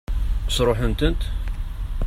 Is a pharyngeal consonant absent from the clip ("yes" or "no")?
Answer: no